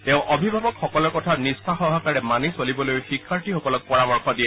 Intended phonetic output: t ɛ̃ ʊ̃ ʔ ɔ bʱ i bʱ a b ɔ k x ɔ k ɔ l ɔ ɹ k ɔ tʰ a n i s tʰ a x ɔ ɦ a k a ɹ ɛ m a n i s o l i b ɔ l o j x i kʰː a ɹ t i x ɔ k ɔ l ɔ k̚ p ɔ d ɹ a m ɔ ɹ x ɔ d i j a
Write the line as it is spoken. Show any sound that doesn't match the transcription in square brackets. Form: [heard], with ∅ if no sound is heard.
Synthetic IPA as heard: t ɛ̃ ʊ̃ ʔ ɔ bʱ i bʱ a b ɔ k x ɔ k ɔ l ɔ ɹ k ɔ tʰ a n i s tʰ a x ɔ ɦ a k a ɹ ɛ m a n i s o l i b ɔ l o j x i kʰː a ɹ t i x ɔ k ɔ l ɔ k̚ p ɔ [∅] ɹ a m ɔ ɹ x ɔ d i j [ɛ]